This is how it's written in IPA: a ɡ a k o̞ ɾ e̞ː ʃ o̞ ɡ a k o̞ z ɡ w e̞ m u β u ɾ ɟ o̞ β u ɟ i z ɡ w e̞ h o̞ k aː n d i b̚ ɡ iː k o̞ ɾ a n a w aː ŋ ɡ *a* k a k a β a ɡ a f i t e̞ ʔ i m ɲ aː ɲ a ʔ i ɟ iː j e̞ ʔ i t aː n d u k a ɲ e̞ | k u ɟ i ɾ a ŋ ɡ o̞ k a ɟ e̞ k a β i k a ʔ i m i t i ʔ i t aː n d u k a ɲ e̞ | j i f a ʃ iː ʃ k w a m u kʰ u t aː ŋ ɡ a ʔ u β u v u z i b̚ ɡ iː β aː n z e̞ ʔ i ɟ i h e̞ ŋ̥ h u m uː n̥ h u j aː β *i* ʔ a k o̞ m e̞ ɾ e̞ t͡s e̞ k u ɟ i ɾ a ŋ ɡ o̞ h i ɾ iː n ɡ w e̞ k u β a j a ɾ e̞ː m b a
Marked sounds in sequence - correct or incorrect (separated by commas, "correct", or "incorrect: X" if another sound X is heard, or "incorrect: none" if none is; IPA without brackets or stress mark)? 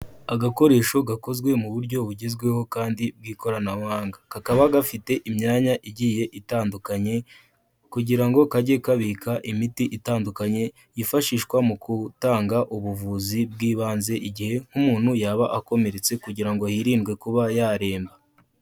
correct, incorrect: a